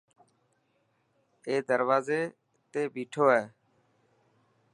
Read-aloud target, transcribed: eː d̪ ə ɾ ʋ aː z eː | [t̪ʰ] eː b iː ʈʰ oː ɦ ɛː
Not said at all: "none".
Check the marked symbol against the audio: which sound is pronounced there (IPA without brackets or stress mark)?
t̪